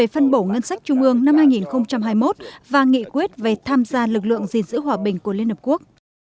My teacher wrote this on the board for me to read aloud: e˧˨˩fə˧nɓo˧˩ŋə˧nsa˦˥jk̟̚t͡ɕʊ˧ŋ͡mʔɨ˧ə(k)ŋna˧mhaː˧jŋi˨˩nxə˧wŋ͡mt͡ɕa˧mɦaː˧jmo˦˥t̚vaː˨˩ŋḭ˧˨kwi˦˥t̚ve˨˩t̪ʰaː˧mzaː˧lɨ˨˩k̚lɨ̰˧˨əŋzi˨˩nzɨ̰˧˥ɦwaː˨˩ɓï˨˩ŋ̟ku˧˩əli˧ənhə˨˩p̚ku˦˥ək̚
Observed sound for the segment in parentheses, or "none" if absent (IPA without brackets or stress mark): none